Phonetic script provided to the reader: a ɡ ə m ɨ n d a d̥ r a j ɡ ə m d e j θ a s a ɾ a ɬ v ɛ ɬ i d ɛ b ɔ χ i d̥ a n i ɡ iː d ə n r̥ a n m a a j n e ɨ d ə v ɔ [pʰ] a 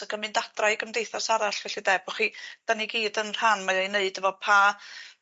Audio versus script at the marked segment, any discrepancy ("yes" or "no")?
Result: no